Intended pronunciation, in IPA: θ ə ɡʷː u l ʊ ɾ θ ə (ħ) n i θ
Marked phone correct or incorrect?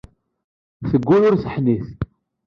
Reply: correct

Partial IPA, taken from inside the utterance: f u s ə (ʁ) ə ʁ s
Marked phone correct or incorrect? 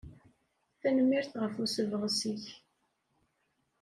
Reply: incorrect: v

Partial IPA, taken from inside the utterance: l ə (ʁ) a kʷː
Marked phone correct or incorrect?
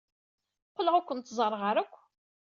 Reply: correct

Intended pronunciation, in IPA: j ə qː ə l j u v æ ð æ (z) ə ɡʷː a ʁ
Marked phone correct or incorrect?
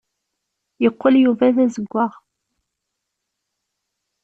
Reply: correct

